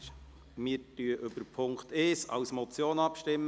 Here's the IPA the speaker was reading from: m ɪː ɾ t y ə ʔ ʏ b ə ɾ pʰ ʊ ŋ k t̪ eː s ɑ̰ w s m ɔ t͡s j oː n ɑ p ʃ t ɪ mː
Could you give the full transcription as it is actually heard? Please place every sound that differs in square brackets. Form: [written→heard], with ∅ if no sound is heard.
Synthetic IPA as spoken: m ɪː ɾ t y ə ʔ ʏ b ə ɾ pʰ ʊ ŋ k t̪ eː s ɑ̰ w s m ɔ t͡s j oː n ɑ p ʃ t ɪ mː